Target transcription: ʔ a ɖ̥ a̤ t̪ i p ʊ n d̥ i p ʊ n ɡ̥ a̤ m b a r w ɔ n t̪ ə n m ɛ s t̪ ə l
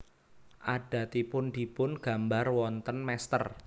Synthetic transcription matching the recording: ʔ a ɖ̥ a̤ t̪ i p ʊ n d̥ i p ʊ n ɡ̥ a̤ m b a r w ɔ n t̪ ə n m ɛ s t̪ ə r